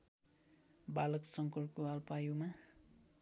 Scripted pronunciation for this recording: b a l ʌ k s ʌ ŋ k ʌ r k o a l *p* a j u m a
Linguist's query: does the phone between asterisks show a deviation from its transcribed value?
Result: no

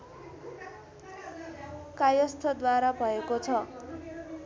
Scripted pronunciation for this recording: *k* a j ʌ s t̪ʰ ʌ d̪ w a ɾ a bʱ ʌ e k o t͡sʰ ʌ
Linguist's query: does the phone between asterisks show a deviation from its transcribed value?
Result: no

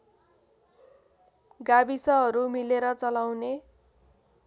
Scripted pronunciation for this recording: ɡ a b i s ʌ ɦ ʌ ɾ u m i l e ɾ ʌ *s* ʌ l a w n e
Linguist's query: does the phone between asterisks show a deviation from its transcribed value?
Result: yes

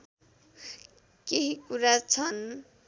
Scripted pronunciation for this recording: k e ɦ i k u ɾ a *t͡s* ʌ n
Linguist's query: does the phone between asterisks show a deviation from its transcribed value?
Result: yes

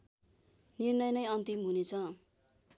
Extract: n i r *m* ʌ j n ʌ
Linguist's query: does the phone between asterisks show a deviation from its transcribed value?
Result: yes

